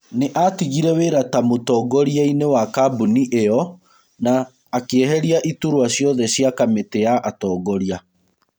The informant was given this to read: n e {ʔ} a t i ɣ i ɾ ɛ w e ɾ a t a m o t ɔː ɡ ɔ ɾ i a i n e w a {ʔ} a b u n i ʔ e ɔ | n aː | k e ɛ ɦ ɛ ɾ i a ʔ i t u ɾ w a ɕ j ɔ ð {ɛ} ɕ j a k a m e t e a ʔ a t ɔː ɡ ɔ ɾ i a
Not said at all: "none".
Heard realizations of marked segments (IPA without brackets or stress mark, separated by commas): ʔ, k, ɛ